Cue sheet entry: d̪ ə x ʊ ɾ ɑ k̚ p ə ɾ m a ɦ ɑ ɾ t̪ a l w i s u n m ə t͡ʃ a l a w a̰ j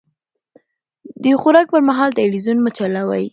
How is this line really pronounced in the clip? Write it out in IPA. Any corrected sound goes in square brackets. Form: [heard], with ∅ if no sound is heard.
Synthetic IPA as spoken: d̪ ə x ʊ ɾ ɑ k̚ p ə ɾ m a ɦ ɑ [l] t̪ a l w i [z] u n m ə t͡ʃ a l a w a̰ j